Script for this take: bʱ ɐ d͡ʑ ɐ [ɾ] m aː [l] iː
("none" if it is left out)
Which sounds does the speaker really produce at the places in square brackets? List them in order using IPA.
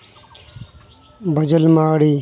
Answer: l, ɽ

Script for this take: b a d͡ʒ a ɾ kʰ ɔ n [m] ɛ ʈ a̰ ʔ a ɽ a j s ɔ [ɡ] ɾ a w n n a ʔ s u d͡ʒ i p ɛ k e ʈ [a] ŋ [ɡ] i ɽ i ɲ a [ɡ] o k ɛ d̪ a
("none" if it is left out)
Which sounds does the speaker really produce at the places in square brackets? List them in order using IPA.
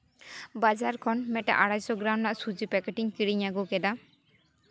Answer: m, ɡ, i, k, ɡ

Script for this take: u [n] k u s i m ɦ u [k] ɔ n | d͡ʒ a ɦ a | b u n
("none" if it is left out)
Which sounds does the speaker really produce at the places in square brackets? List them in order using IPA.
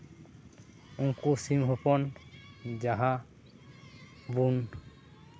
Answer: ŋ, p

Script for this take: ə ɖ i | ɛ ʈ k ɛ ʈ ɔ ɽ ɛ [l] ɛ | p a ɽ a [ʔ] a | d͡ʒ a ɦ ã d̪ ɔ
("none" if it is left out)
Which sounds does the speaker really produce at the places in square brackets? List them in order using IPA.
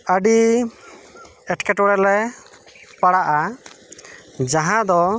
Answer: l, ʔ

